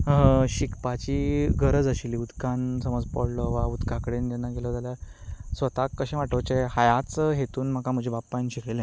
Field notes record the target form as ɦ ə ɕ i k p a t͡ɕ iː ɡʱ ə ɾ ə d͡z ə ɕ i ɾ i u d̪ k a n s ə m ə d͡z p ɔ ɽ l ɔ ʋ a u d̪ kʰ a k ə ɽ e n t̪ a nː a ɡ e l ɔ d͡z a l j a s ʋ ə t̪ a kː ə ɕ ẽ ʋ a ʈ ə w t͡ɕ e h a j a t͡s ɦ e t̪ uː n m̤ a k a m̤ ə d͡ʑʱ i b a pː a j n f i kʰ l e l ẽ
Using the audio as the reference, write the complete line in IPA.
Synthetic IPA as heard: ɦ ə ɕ i k p a t͡ɕ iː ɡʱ ə ɾ ə d͡z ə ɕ i l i u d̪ k a n s ə m ə d͡z p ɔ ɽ l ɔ ʋ a u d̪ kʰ a k ə ɽ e n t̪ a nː a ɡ e l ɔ d͡z a l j a s ʋ ə t̪ a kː ə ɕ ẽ ʋ a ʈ ə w t͡ɕ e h a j a t͡s ɦ e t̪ uː n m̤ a k a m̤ ə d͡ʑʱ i b a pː a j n ɕ i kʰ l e l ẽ